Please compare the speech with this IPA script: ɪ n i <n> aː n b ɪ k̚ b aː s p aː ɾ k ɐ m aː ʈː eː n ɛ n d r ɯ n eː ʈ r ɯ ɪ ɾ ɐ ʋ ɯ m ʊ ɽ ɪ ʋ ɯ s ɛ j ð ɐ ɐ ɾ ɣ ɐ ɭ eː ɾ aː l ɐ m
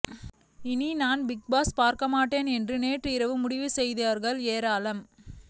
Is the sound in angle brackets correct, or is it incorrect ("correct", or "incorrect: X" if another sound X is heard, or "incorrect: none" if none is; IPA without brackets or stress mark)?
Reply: correct